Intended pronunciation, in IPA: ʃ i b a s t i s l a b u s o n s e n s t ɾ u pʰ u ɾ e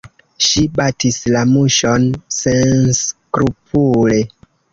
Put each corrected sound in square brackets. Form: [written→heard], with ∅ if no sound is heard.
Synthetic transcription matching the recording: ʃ i b a [s→∅] t i s l a [b→m] u [s→ʃ] o n s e n s [t→k] ɾ u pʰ u [ɾ→l] e